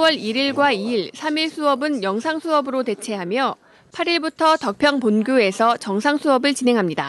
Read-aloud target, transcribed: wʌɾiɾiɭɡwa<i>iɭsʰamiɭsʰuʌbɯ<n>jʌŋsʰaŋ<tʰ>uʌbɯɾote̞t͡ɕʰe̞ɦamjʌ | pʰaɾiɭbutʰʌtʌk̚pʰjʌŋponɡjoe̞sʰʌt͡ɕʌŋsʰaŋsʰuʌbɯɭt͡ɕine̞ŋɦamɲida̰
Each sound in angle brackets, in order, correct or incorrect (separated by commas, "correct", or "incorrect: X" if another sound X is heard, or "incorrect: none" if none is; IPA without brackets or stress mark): correct, correct, incorrect: sʰ